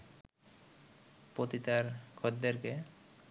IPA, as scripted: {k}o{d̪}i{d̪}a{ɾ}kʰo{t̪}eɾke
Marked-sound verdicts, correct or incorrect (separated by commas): incorrect, incorrect, incorrect, correct, incorrect